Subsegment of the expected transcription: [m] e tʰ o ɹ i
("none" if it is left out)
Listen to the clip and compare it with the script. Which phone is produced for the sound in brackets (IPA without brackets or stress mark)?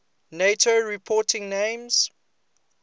n